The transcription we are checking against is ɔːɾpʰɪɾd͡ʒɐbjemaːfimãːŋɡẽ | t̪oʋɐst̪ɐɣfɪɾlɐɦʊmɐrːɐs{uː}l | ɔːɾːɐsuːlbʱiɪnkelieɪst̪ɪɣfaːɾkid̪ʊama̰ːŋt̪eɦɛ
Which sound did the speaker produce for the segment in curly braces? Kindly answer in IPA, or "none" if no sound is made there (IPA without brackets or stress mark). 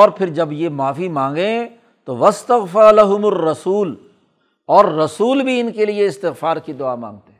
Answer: uː